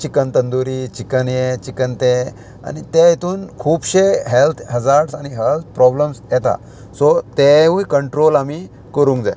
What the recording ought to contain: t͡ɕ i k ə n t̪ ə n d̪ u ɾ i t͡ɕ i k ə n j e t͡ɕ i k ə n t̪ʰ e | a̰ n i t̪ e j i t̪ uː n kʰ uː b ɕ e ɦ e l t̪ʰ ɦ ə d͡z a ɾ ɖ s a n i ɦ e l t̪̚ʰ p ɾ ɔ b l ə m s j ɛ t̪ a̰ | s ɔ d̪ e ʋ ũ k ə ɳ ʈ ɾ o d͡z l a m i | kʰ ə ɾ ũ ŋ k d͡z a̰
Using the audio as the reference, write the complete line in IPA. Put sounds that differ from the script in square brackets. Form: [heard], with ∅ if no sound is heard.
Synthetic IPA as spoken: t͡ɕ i k ə n t̪ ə n d̪ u ɾ i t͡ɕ i k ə n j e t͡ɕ i k ə n [t̪] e | a̰ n i t̪ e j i t̪ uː n kʰ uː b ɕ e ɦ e l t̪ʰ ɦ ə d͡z a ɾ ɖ s a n i ɦ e l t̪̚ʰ p ɾ ɔ b l ə m s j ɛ t̪ a̰ | s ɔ [t̪] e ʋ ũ k ə ɳ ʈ ɾ o [∅] l a m i | [k] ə ɾ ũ ŋ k d͡z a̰